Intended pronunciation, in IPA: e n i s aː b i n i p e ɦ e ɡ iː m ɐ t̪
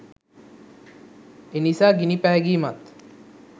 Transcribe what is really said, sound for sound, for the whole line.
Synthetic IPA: e n i s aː ɡ i n i p æ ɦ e ɡ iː m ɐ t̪